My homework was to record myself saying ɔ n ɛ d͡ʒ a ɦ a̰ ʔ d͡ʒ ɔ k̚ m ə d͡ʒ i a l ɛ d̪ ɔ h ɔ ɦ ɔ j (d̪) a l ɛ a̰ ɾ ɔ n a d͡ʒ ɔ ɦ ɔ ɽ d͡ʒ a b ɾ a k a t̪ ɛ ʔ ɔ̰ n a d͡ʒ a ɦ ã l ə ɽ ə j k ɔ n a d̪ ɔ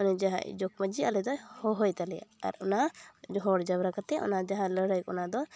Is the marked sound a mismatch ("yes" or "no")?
yes